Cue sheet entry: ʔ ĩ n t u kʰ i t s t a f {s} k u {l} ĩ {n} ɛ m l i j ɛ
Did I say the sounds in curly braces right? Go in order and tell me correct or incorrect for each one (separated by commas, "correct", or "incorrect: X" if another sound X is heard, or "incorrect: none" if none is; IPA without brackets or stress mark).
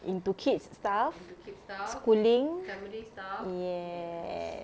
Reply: correct, correct, incorrect: ŋ